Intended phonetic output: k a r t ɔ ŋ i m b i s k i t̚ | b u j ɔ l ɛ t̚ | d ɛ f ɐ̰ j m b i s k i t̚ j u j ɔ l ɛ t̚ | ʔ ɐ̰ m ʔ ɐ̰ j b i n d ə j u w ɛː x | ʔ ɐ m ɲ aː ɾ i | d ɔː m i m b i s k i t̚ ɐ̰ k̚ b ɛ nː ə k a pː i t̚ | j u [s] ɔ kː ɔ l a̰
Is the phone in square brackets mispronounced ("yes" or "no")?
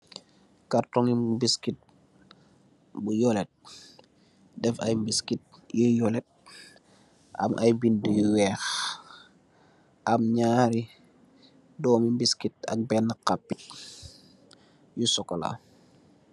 no